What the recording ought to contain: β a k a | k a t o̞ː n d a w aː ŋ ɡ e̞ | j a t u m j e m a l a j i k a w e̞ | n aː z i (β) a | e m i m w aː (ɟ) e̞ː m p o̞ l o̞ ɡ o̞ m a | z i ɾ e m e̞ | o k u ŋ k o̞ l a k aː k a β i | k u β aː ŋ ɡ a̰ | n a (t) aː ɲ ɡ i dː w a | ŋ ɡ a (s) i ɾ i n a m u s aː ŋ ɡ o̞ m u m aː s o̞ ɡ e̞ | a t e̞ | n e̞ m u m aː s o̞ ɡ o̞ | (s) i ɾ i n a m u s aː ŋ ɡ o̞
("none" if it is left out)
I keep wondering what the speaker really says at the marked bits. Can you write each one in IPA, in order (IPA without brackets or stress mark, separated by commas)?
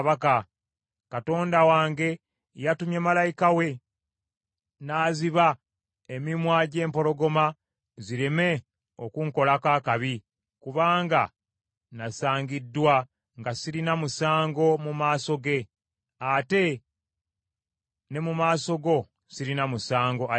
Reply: β, ɟ, s, s, s